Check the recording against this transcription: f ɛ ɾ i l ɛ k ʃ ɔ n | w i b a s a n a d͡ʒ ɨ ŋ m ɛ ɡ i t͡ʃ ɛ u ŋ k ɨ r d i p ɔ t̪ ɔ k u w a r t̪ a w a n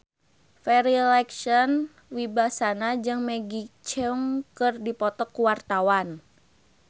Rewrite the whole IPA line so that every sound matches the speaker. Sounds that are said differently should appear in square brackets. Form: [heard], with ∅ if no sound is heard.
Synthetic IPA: f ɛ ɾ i l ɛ k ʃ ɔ n | w i b a s a n a d͡ʒ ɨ ŋ m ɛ ɡ i t͡ʃ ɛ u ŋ k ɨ r d i p ɔ t̪ ɔ k u w a r t̪ a w a n